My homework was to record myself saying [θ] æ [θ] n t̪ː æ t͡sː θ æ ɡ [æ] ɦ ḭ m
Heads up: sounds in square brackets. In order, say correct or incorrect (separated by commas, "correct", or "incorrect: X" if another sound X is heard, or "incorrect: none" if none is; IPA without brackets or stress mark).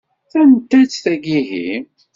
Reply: correct, incorrect: none, incorrect: i